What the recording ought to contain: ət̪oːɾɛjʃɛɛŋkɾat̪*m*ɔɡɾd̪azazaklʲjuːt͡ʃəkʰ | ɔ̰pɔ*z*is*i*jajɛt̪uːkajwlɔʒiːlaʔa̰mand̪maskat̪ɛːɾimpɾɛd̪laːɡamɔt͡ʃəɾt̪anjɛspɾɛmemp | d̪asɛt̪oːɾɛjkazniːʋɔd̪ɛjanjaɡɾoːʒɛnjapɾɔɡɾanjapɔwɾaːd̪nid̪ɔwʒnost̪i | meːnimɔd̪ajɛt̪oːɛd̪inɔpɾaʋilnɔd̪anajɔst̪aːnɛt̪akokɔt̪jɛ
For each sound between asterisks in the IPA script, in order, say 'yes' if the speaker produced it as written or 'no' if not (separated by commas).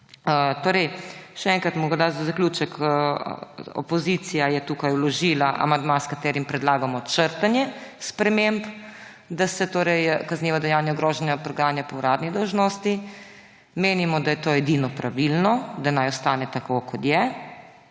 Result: yes, yes, yes